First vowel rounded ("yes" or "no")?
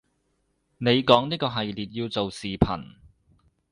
no